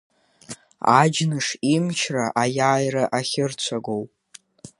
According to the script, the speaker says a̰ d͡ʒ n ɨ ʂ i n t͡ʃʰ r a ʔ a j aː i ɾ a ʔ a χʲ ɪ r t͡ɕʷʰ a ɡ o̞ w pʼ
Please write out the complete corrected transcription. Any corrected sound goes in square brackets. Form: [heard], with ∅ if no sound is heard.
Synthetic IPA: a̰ d͡ʒ n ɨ ʂ i [m] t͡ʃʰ r a ʔ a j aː [j] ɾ a ʔ a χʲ ɪ r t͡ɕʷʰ a ɡ o̞ w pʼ